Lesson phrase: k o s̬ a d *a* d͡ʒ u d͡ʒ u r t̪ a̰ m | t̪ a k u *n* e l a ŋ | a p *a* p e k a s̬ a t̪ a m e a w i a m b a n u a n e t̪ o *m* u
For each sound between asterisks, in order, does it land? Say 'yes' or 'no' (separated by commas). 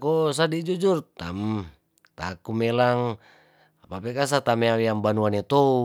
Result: no, no, yes, no